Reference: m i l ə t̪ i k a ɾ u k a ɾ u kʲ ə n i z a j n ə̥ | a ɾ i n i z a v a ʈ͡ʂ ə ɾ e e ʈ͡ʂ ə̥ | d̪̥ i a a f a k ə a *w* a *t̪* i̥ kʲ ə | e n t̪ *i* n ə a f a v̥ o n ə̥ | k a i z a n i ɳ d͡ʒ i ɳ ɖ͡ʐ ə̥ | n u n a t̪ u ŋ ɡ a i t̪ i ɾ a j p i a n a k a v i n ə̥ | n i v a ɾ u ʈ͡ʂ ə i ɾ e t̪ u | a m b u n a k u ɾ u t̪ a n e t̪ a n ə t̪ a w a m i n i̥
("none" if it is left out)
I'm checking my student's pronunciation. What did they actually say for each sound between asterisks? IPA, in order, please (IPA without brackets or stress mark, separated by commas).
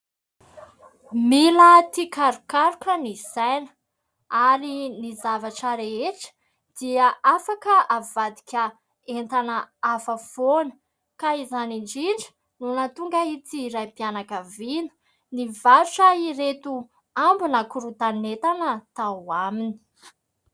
v, d̪, a